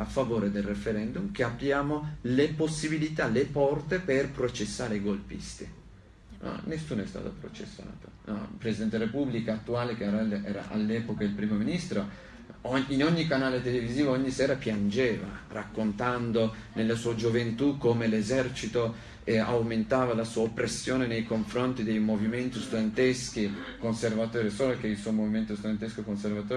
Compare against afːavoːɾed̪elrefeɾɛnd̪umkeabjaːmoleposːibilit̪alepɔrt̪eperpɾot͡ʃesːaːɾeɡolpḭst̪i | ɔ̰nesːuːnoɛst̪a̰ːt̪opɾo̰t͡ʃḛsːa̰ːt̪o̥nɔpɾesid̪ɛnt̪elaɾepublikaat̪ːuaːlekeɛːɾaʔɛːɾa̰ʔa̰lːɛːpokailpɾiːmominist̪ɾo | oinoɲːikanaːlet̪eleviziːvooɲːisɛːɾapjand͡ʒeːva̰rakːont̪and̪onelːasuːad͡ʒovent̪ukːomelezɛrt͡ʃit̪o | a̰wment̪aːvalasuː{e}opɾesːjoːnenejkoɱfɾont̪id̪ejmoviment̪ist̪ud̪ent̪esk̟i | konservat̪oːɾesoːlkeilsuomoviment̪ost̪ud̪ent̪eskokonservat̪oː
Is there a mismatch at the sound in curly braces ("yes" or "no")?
yes